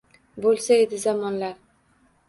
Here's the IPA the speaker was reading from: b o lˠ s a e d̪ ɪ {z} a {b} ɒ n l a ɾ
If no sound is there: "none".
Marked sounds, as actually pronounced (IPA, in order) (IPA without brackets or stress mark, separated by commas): z, m